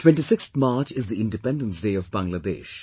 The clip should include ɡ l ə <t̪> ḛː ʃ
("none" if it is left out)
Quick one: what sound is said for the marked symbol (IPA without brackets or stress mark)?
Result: d̪